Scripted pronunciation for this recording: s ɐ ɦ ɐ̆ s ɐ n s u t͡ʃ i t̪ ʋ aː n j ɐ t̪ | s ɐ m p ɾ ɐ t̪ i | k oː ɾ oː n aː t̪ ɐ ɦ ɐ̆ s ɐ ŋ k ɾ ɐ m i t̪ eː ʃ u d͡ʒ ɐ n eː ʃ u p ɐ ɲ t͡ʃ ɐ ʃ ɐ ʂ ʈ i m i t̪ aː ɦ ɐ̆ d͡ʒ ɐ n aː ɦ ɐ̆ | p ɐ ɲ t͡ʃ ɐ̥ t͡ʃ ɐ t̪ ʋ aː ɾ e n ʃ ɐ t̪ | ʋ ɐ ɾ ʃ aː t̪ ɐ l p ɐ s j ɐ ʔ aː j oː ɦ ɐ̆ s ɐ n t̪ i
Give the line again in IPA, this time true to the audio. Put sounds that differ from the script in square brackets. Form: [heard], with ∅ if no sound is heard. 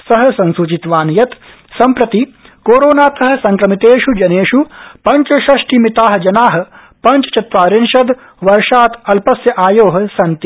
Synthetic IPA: s ɐ ɦ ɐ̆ s ɐ n s u t͡ʃ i t̪ ʋ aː n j ɐ t̪ | s ɐ m p ɾ ɐ t̪ i | k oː ɾ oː n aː t̪ ɐ ɦ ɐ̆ s ɐ ŋ k ɾ ɐ m i t̪ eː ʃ u d͡ʒ ɐ n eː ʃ u p ɐ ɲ t͡ʃ ɐ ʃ ɐ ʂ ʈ i m i t̪ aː ɦ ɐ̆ d͡ʒ ɐ n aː ɦ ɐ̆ | p ɐ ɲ t͡ʃ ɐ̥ t͡ʃ ɐ t̪ ʋ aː ɾ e n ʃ ɐ [d̪] | ʋ ɐ ɾ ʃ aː t̪ ɐ l p ɐ s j ɐ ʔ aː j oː ɦ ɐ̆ s ɐ n t̪ i

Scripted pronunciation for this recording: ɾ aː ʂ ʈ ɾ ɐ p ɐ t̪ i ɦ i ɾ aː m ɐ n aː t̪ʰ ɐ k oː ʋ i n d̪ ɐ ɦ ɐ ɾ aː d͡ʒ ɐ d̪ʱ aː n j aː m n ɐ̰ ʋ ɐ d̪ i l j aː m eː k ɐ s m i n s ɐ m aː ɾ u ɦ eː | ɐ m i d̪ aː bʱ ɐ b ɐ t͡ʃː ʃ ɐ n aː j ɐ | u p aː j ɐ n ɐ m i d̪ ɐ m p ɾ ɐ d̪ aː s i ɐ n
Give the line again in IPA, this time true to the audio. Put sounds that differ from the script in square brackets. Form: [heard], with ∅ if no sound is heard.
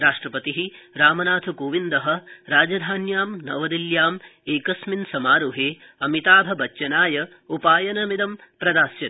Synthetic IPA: ɾ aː ʂ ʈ ɾ ɐ p ɐ t̪ i ɦ i ɾ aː m ɐ n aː t̪ʰ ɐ k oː ʋ i n d̪ ɐ ɦ ɐ ɾ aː d͡ʒ ɐ d̪ʱ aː n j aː m n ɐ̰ ʋ ɐ d̪ i l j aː m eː k ɐ s m i n s ɐ m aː ɾ u ɦ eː | ɐ m i [t̪] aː bʱ ɐ b ɐ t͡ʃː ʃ ɐ n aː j ɐ | u p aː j ɐ n ɐ m i d̪ ɐ m p ɾ ɐ d̪ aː s [j] ɐ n

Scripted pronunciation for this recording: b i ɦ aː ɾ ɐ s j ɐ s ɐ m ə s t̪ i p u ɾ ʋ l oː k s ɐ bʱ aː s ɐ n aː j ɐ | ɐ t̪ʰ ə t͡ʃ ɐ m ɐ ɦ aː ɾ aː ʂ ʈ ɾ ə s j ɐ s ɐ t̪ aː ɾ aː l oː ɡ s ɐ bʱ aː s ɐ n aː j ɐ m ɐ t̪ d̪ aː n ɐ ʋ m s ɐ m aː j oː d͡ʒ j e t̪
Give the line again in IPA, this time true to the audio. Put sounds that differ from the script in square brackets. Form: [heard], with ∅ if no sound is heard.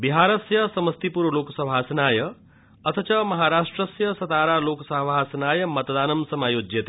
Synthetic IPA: b i ɦ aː ɾ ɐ s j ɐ s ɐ m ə s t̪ i p u ɾ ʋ l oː k s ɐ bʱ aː s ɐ n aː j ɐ | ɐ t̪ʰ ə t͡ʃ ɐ m ɐ ɦ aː ɾ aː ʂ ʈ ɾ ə s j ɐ s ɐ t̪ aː ɾ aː l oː [k] s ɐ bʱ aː s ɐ n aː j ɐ m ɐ t̪ d̪ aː n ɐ [∅] m s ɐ m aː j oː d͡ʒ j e t̪

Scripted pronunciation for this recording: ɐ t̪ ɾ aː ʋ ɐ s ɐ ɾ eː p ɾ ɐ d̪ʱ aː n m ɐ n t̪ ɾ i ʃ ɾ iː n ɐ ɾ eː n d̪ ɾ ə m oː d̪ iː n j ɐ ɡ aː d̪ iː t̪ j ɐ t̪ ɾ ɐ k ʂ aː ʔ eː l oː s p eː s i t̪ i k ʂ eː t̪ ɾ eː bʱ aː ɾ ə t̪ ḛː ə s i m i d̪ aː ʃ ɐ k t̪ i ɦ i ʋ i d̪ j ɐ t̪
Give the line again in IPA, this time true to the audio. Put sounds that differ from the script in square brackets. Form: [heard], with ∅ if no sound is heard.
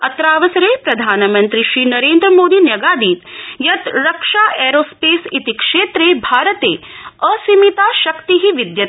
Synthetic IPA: ɐ t̪ ɾ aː ʋ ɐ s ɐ ɾ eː p ɾ ɐ d̪ʱ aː n m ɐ n t̪ ɾ i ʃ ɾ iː n ɐ ɾ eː n d̪ ɾ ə m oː d̪ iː n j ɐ ɡ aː d̪ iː t̪ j ɐ t̪ ɾ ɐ k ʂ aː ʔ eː [ɾ] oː s p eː s i t̪ i k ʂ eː t̪ ɾ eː bʱ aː ɾ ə t̪ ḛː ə s i m i [t̪] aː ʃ ɐ k t̪ i ɦ i ʋ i d̪ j ɐ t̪

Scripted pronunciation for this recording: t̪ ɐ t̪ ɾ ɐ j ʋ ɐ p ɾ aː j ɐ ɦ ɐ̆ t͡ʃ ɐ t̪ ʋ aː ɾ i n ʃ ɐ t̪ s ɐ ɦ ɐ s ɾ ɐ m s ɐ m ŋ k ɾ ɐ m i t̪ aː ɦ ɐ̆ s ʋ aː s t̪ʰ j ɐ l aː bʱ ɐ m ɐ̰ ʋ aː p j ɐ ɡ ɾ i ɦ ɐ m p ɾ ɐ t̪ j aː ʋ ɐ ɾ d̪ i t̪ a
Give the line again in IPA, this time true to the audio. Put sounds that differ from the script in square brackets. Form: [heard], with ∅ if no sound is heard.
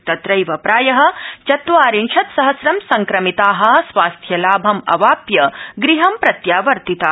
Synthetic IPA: t̪ ɐ t̪ ɾ ɐ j ʋ ɐ p ɾ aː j ɐ ɦ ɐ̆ t͡ʃ ɐ t̪ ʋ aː ɾ i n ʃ ɐ t̪ s ɐ ɦ ɐ s ɾ ɐ m s ɐ [∅] ŋ k ɾ ɐ m i t̪ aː ɦ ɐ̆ s ʋ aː s t̪ʰ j ɐ l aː bʱ ɐ m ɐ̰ ʋ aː p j ɐ ɡ ɾ i ɦ ɐ m p ɾ ɐ t̪ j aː ʋ ɐ ɾ [t̪] i t̪ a

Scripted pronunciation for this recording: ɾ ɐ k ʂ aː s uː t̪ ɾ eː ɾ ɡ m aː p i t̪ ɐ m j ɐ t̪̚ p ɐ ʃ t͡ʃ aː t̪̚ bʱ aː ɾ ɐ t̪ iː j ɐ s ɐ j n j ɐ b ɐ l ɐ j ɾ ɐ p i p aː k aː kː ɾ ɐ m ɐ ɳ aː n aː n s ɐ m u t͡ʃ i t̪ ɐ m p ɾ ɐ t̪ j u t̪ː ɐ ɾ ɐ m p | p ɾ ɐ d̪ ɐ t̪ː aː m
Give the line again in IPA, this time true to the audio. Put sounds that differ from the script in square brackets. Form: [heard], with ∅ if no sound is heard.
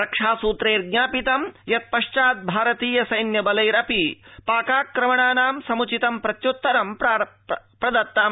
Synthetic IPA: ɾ ɐ k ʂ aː s uː t̪ ɾ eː ɾ ɡ [ɲ] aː p i t̪ ɐ m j ɐ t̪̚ p ɐ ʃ t͡ʃ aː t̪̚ bʱ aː ɾ ɐ t̪ iː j ɐ s ɐ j n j ɐ b ɐ l ɐ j ɾ ɐ p i p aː k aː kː ɾ ɐ m ɐ ɳ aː n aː [m] s ɐ m u t͡ʃ i t̪ ɐ m p ɾ ɐ t̪ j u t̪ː ɐ ɾ ɐ m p | p ɾ ɐ d̪ ɐ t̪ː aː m

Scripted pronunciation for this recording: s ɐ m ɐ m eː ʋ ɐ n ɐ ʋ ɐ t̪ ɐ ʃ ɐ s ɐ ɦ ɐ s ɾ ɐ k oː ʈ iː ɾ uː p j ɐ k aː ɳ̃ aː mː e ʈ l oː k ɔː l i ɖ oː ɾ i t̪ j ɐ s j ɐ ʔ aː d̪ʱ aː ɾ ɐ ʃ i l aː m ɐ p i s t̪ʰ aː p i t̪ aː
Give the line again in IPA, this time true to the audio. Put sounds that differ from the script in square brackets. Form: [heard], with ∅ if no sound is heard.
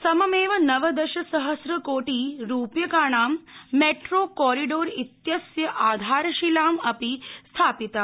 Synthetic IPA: s ɐ m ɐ m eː ʋ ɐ n ɐ ʋ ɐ [d̪] ɐ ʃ ɐ s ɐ ɦ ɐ s ɾ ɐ k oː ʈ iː ɾ uː p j ɐ k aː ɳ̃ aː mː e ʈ [ɾ] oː k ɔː [ɾ] i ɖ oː ɾ i t̪ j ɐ s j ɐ ʔ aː d̪ʱ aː ɾ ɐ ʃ i l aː m ɐ p i s t̪ʰ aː p i t̪ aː

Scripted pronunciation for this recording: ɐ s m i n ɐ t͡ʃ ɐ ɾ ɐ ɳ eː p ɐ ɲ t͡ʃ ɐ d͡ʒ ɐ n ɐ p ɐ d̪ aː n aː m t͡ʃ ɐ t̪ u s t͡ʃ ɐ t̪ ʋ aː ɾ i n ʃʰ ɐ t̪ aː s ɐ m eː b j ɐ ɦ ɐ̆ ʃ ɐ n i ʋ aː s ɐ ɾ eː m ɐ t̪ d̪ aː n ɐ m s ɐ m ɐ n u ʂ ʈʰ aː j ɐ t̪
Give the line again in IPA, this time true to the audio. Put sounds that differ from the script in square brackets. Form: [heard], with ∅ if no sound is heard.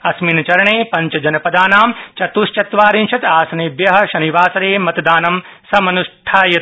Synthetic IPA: ɐ s m i n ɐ t͡ʃ ɐ ɾ ɐ ɳ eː p ɐ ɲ t͡ʃ ɐ d͡ʒ ɐ n ɐ p ɐ d̪ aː n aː m t͡ʃ ɐ t̪ u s t͡ʃ ɐ t̪ ʋ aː ɾ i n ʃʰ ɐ t̪ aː s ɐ [n] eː b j ɐ ɦ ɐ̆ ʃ ɐ n i ʋ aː s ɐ ɾ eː m ɐ t̪ d̪ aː n ɐ m s ɐ m ɐ n u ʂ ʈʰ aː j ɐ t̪

